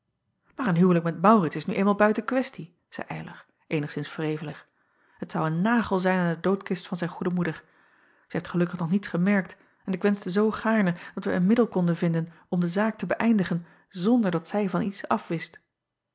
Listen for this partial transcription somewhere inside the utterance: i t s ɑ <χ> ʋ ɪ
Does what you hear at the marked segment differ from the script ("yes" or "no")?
yes